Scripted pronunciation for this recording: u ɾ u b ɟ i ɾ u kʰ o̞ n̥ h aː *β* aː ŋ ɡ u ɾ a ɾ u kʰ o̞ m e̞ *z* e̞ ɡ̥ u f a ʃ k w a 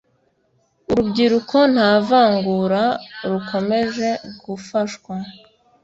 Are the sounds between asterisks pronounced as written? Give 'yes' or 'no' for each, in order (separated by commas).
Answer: no, no